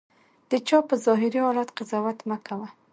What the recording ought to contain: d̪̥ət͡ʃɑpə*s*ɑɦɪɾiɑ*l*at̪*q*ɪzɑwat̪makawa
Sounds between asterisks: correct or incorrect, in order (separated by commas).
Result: incorrect, correct, correct